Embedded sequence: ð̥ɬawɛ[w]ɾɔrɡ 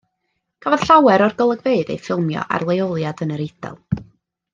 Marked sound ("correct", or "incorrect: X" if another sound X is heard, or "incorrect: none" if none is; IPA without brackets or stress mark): incorrect: none